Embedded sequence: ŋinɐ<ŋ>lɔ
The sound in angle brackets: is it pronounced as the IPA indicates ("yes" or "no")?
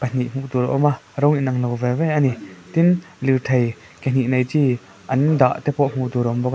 yes